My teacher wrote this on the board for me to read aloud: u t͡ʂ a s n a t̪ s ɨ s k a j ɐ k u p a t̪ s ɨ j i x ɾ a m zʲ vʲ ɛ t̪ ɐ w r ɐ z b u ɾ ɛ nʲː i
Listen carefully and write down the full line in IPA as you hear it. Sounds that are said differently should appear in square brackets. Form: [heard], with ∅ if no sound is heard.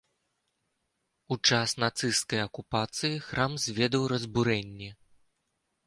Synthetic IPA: u t͡ʂ a s n a t̪ s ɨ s k [ɐ] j ɐ k u p a t̪ s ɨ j i x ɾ a m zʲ vʲ ɛ [d̪] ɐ w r ɐ z b u ɾ ɛ nʲː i